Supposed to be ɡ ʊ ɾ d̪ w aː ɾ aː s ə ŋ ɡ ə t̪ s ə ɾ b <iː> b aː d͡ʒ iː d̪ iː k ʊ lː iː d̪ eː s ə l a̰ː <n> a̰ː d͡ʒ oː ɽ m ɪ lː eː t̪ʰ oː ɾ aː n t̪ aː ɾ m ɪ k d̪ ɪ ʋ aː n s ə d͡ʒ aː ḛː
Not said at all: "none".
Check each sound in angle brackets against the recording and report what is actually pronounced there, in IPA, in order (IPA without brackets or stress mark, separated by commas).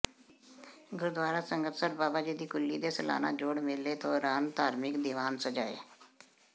aː, n